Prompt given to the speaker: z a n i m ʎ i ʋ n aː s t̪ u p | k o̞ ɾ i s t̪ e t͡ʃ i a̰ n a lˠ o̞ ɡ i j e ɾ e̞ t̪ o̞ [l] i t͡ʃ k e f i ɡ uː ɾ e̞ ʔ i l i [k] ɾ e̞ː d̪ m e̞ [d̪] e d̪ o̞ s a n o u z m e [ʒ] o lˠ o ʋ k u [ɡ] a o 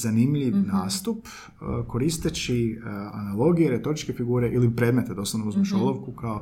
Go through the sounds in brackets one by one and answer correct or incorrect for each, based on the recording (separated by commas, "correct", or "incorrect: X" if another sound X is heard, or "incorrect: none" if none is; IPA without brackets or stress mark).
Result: incorrect: ɾ, incorrect: p, incorrect: t̪, incorrect: ʃ, incorrect: k